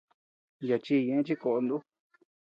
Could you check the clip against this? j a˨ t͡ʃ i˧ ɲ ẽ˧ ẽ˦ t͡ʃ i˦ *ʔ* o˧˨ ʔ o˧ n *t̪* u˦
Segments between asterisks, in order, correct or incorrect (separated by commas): incorrect, incorrect